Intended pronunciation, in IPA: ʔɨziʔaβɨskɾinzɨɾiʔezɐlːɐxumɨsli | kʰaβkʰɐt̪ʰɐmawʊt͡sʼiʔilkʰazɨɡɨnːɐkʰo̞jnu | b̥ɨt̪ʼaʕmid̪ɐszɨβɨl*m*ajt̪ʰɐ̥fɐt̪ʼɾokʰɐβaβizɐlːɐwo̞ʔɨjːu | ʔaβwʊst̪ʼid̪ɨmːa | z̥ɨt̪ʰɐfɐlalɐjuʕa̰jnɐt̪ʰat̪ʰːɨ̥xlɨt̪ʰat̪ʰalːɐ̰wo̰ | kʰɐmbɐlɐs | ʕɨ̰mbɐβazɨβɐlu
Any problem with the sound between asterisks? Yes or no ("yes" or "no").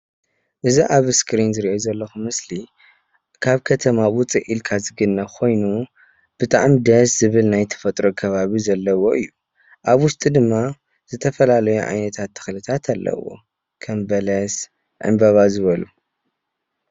yes